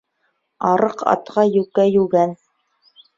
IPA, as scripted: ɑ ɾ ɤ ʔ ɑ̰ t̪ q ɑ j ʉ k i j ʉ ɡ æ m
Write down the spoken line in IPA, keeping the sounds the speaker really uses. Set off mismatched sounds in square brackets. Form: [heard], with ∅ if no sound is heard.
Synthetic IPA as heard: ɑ ɾ ɤ [q] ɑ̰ t̪ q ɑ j ʉ k [æ] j ʉ ɡ æ [n]